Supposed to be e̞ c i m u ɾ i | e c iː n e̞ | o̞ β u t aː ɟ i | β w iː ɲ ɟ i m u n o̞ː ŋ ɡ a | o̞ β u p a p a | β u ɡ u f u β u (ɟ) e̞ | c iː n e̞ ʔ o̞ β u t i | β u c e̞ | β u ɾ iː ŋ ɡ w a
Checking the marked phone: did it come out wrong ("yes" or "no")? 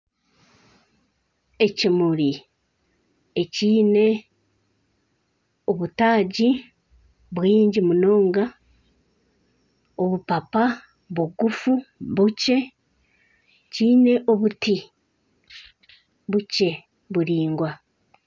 yes